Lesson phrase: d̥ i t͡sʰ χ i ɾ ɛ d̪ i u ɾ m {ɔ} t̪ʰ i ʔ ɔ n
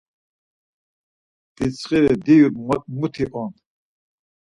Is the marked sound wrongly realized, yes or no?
yes